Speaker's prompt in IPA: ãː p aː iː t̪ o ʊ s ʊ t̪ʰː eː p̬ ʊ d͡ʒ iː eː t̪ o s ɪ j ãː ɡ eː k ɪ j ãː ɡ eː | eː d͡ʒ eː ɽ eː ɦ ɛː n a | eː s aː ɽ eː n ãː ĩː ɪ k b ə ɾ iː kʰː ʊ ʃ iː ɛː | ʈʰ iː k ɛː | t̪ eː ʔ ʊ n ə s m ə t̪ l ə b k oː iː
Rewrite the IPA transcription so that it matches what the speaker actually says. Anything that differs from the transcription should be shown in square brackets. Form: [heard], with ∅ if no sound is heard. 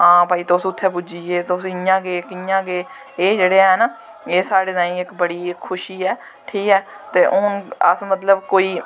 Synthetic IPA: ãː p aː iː t̪ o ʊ s ʊ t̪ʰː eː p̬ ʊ d͡ʒ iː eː t̪ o s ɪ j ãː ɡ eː k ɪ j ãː ɡ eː | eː d͡ʒ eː ɽ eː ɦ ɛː n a | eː s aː ɽ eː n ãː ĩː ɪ k b ə [ɽ] iː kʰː ʊ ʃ iː ɛː | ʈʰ iː k ɛː | t̪ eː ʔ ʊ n ə s m ə t̪ l ə b k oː iː